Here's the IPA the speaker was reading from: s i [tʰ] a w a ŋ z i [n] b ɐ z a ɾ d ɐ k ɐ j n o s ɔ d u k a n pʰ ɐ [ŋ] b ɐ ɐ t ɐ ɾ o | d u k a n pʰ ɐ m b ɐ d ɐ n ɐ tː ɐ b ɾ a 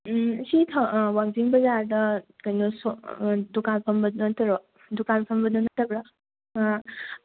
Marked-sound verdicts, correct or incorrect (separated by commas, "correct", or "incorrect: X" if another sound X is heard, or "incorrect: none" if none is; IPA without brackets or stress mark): correct, incorrect: ŋ, incorrect: m